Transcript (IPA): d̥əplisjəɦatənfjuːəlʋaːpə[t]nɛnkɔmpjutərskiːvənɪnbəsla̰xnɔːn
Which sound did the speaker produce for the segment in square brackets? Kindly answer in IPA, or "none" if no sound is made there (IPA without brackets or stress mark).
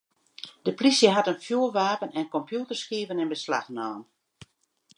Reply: none